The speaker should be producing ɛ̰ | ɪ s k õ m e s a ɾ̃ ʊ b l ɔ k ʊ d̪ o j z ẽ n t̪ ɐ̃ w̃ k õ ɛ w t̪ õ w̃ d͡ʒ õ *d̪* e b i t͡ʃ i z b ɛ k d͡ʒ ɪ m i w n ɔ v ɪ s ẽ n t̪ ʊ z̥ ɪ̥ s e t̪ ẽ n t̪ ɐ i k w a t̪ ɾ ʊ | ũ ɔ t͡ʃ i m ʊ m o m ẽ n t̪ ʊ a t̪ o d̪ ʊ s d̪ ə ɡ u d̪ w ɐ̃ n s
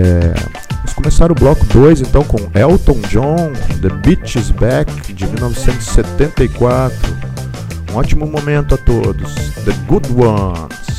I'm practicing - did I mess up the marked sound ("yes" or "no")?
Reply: no